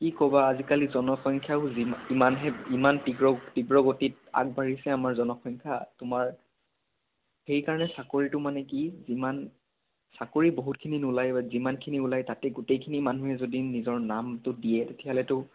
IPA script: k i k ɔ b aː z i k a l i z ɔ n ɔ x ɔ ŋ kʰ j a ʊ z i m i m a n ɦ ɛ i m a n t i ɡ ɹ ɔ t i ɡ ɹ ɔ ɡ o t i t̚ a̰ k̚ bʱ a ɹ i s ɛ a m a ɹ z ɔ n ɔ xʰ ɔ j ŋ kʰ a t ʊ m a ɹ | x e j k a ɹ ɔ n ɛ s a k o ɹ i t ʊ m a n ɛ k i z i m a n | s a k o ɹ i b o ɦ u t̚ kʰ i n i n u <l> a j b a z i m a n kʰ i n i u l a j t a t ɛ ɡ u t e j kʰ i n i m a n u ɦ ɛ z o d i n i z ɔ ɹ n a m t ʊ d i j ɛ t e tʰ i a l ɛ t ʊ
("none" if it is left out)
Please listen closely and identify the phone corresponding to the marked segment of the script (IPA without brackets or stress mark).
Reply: l